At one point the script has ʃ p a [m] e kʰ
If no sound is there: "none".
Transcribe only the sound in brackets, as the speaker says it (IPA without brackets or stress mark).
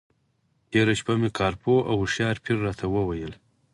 m